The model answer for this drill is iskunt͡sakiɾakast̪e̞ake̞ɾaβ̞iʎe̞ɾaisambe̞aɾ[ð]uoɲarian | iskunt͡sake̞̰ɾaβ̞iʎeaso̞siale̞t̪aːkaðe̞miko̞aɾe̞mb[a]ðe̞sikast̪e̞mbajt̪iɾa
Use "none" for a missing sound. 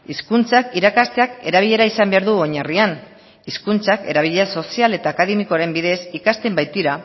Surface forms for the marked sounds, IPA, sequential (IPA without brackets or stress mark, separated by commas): ð, i